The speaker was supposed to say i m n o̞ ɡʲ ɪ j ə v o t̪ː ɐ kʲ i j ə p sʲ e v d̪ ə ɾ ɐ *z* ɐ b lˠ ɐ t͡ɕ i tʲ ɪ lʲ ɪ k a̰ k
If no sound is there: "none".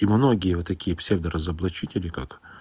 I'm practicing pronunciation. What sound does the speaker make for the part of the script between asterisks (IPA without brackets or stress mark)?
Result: z